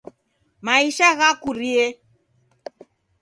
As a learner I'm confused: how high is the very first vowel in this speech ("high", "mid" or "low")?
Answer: low